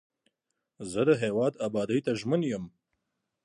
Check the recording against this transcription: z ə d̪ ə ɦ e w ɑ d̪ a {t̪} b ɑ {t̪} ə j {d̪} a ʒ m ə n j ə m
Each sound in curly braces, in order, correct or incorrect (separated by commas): incorrect, incorrect, incorrect